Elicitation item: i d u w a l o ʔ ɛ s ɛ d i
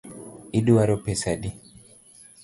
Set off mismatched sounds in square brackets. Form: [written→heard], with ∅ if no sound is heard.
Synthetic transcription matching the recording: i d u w a [l→ɾ] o [ʔ→p] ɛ s [ɛ→a] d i